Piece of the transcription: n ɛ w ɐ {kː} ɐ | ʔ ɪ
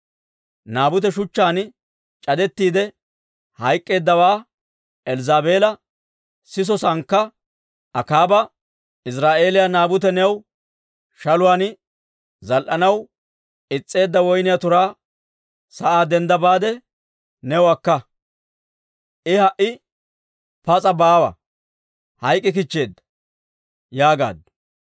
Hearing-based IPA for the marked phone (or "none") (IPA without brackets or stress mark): kː